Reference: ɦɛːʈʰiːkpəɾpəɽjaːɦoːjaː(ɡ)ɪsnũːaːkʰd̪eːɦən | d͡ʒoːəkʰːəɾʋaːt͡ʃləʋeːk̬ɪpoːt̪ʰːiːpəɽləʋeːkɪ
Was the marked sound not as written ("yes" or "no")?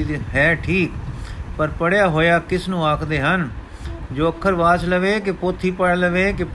yes